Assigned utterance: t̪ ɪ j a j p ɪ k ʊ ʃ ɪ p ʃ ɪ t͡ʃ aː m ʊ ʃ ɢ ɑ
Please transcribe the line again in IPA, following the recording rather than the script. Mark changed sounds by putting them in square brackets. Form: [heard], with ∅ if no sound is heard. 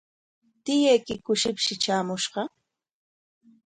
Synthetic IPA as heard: t̪ ɪ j a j [k] ɪ k ʊ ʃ ɪ p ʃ ɪ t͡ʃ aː m ʊ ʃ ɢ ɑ